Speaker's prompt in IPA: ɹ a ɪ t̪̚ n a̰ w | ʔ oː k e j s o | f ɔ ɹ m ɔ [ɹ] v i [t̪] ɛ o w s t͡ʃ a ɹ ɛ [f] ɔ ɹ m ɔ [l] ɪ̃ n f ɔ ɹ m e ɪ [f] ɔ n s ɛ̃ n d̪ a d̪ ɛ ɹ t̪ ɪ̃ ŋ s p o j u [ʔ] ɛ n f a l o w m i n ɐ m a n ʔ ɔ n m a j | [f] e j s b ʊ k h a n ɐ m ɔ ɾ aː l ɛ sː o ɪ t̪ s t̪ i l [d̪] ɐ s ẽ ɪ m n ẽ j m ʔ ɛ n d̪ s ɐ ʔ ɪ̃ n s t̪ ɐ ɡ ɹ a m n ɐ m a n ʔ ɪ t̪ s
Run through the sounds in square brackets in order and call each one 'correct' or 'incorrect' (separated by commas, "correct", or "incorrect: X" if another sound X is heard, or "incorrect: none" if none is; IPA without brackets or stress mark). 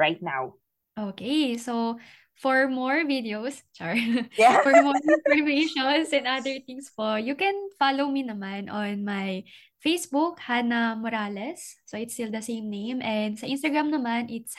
correct, incorrect: d̪, correct, incorrect: ɹ, incorrect: ʃ, incorrect: k, correct, correct